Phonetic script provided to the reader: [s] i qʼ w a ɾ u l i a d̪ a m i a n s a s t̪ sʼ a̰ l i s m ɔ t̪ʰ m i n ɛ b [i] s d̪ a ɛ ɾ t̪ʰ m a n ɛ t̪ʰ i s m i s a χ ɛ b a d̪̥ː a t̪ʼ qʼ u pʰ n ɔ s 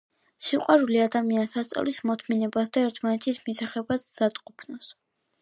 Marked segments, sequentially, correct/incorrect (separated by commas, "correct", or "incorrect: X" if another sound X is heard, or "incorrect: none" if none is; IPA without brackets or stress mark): correct, incorrect: a